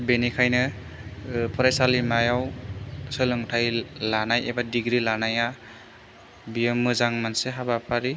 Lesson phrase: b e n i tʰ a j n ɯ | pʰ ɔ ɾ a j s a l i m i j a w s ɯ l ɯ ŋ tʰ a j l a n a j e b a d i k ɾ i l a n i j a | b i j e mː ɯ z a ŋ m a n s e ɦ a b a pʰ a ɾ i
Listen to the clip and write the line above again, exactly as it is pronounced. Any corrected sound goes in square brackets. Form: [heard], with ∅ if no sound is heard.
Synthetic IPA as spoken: b e n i [kʰ] a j n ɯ | pʰ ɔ ɾ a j s a l i m [a] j a w s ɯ l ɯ ŋ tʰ a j l a n a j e b a d i [ɡ] ɾ i l a n [a] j a | b i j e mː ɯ z a ŋ m a n s e ɦ a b a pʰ a ɾ i